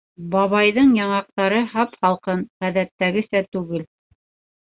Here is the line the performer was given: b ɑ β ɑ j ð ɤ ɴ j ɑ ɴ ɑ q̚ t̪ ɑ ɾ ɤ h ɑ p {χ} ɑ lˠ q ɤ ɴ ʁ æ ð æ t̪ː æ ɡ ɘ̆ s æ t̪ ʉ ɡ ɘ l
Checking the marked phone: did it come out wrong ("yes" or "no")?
no